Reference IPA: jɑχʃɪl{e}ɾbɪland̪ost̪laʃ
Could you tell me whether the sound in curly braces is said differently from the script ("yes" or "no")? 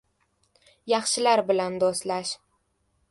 yes